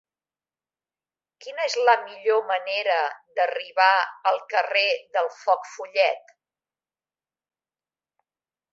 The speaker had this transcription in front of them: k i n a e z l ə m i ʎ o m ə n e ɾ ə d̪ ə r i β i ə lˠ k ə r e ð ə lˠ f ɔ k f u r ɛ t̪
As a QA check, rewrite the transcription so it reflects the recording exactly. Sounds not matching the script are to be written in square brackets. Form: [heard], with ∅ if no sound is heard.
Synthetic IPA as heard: k i n [ə] e z l ə m i ʎ o m ə n e ɾ ə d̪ ə r i β [a] ə lˠ k ə r e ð ə lˠ f ɔ k f u [ʎ] ɛ t̪

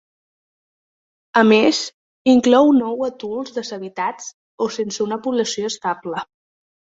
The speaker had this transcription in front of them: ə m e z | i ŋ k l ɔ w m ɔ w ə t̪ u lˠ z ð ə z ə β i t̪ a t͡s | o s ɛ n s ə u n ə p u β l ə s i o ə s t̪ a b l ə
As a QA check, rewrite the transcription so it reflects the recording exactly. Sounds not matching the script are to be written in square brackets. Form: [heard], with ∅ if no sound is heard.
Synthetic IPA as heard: ə m e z | i ŋ k l ɔ w [n] ɔ w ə t̪ u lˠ z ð ə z ə β i t̪ a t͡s | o s [e] n s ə u n ə p u β l ə s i o ə s t̪ a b l ə

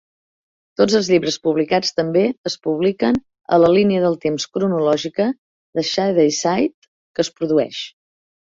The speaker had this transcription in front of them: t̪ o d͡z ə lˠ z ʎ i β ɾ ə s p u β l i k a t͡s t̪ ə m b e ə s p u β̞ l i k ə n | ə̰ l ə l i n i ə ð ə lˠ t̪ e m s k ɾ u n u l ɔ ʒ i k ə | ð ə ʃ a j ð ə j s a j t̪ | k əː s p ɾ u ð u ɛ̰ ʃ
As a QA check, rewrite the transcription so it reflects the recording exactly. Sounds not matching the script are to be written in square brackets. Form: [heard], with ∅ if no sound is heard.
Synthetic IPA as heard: t̪ o d͡z ə lˠ z ʎ i β ɾ ə s p u β l i k a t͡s t̪ ə m b e ə s p u β̞ l i k ə n | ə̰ l ə l i n i ə ð ə lˠ t̪ e m s k ɾ u n u l ɔ ʒ i k ə | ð ə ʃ a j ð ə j s a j t̪ | k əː s p ɾ u ð u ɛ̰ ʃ

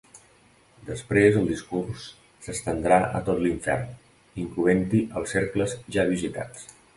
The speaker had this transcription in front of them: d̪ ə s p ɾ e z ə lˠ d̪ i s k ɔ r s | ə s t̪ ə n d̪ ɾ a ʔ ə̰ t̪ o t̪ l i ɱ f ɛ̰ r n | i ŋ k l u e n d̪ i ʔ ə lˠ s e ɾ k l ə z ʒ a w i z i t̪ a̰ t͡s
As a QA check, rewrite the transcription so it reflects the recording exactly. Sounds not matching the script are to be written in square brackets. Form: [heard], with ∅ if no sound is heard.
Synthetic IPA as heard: d̪ ə s p ɾ e z ə lˠ d̪ i s k [u] r [sː] | ə s t̪ ə n d̪ ɾ a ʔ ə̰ t̪ o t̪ l i ɱ f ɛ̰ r n | i ŋ k l u e n [t̪] i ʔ ə lˠ s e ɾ k l ə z ʒ a [β] i z i t̪ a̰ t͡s

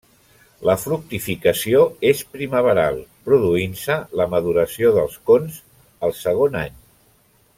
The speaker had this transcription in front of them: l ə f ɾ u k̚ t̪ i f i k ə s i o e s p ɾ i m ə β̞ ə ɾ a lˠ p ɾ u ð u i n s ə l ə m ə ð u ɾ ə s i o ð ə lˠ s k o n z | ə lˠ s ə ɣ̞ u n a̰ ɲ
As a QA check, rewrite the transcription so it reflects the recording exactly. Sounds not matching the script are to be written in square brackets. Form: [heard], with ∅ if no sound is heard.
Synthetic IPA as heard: l ə f ɾ u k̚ t̪ i f i k ə s i o e s p ɾ i m ə β̞ ə ɾ a lˠ p ɾ u ð u i n s ə l ə m ə ð u ɾ ə s i o ð ə lˠ s k o n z | ə lˠ s ə ɣ̞ [o] n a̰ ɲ

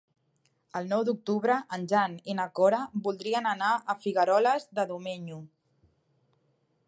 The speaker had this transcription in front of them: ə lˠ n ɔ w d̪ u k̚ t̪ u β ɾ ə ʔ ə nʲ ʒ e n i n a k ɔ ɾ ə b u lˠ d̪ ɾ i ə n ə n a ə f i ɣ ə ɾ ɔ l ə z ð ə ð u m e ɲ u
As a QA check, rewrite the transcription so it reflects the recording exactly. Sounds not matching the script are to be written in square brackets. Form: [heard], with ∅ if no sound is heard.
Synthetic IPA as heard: ə lˠ n ɔ w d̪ u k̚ t̪ u β ɾ ə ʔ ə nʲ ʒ [a] n i n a k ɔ ɾ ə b u lˠ d̪ ɾ i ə n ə n a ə f i ɣ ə ɾ ɔ l ə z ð ə ð u m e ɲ u

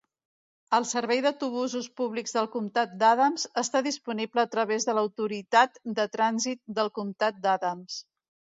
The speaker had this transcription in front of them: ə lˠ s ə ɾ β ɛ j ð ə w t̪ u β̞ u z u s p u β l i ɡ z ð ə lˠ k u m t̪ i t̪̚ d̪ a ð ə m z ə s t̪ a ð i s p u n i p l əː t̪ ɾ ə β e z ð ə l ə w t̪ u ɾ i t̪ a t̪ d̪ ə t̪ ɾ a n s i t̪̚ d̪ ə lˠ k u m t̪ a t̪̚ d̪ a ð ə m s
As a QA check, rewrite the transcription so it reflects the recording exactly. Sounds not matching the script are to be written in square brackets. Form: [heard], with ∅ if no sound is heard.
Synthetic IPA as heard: ə lˠ s ə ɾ β ɛ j ð ə w t̪ u β̞ u z u s p u β l i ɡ z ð ə lˠ k u m t̪ [a] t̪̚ d̪ a ð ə m z ə s t̪ a ð i s p u n i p l əː t̪ ɾ ə β e z ð ə l ə w t̪ u ɾ i t̪ a t̪ d̪ ə t̪ ɾ a n [z] i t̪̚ d̪ ə lˠ k u m t̪ a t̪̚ d̪ a ð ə m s

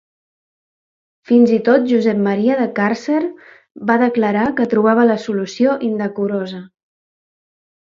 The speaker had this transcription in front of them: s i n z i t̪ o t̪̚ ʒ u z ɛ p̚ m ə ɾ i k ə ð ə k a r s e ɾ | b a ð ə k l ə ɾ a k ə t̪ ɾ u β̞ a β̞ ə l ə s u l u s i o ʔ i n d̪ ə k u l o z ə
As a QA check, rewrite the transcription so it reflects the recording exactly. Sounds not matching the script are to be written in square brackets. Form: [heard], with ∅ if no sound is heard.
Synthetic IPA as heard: [f] i n z i t̪ o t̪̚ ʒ u z ɛ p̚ m ə ɾ i [∅] ə ð ə k a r s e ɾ | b a ð ə k l ə ɾ a k ə t̪ ɾ u β̞ a β̞ ə l ə s u l u s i o ʔ i n d̪ ə k u [ɾ] o z ə

